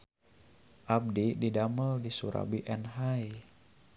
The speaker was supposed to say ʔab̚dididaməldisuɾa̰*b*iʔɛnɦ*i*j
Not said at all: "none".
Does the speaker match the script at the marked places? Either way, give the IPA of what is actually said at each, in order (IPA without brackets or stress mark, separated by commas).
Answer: b, a